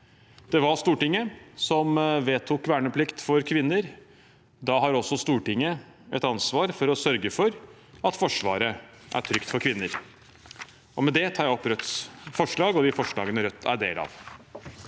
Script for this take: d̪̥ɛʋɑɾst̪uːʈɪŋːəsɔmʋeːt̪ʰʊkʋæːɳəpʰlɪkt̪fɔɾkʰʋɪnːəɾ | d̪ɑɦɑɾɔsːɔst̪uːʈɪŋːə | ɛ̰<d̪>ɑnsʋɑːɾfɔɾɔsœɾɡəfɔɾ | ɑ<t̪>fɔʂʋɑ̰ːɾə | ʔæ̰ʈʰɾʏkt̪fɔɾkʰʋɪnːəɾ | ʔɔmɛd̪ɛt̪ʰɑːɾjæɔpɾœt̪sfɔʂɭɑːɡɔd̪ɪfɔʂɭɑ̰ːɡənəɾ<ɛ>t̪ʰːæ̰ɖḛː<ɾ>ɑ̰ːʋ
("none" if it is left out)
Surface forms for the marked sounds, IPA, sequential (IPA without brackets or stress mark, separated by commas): t̪, t̪, œ, l